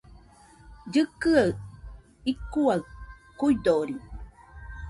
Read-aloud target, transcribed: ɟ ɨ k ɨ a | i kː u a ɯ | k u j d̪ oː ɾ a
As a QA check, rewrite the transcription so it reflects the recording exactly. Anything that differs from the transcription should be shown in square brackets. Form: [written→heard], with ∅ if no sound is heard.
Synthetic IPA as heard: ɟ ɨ k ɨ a | i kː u a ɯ | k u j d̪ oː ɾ [a→i]